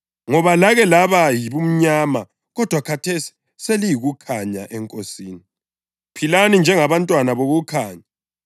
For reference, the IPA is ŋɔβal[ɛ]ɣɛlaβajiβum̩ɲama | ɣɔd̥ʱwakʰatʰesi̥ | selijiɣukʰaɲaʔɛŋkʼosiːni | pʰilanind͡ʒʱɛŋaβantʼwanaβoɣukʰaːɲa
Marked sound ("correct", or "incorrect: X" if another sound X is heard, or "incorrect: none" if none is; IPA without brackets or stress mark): incorrect: a